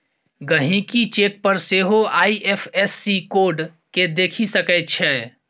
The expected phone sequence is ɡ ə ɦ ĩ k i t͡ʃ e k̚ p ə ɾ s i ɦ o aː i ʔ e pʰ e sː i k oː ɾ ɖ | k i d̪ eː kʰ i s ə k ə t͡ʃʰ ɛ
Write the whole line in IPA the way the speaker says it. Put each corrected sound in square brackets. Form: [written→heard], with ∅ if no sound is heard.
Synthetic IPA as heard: ɡ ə ɦ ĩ k i t͡ʃ e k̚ p ə ɾ s [i→e] ɦ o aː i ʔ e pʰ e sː i k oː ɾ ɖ | k [i→e] d̪ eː kʰ i s ə k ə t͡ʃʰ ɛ